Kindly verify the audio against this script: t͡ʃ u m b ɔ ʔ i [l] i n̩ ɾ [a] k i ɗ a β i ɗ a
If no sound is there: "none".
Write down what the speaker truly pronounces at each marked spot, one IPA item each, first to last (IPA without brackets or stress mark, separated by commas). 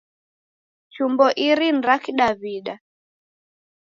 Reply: ɾ, a